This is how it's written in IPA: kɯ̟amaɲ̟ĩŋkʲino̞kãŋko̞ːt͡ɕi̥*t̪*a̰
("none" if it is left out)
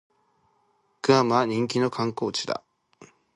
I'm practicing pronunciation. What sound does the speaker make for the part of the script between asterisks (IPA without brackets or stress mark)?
d̪